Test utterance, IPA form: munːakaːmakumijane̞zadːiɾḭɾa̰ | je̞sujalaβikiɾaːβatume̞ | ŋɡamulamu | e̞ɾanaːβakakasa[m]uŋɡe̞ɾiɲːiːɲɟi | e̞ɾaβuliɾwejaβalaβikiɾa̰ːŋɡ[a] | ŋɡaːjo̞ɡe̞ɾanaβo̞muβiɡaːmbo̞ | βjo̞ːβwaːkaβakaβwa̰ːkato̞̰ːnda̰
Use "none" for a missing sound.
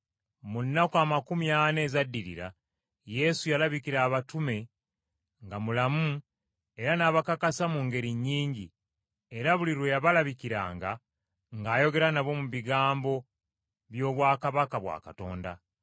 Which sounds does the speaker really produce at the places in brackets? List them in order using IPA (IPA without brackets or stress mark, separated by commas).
m, a